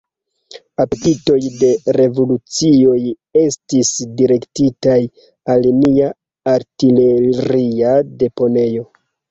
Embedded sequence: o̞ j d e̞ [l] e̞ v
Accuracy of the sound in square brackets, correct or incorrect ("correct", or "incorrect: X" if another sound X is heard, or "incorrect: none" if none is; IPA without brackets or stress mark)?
incorrect: ɾ